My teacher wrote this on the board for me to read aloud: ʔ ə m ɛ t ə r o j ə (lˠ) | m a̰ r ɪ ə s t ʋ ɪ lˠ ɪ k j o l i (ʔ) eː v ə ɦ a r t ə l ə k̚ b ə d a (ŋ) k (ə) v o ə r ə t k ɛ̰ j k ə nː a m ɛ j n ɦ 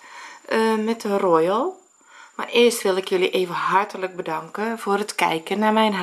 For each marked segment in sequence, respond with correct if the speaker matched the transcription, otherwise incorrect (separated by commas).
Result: correct, correct, correct, correct